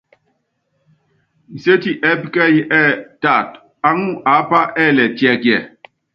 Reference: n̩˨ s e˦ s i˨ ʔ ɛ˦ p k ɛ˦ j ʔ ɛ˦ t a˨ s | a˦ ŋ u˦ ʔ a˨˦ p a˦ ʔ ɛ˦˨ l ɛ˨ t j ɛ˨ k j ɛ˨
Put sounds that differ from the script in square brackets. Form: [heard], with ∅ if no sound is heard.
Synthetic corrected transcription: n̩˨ s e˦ [t] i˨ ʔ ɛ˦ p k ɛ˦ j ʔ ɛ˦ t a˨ [t] | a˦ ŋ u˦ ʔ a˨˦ p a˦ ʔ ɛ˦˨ l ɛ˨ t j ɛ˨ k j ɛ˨